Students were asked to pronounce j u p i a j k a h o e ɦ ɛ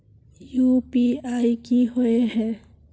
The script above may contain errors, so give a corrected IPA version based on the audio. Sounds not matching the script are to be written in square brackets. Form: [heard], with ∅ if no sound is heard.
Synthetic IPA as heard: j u p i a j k [i] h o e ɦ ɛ